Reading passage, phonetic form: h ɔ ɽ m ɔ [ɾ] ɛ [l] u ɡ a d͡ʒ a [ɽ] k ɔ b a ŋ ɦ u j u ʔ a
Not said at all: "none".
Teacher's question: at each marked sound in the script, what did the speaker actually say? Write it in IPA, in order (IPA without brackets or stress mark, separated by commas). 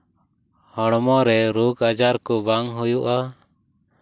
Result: ɾ, ɾ, ɾ